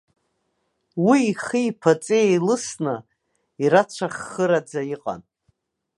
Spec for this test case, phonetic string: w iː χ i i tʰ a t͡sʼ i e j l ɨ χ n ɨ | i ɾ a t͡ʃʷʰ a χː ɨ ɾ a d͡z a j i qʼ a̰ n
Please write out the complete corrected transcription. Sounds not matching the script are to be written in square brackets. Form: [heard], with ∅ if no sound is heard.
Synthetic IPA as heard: w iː χ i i [pʰ] a t͡sʼ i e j l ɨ [s] n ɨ | i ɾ a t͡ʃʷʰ a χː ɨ ɾ a d͡z a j i qʼ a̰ n